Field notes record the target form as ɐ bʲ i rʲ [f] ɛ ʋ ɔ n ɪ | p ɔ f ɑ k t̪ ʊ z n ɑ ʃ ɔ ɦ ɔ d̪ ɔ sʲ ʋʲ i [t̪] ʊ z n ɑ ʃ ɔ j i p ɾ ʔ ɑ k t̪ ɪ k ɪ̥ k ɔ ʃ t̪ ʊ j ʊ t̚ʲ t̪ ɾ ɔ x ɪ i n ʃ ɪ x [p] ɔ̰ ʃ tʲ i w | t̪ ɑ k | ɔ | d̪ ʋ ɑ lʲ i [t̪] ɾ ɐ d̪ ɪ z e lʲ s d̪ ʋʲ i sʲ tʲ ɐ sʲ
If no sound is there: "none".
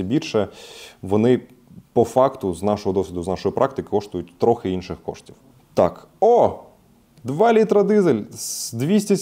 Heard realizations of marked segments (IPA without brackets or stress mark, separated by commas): ʃ, d̪, k, t̪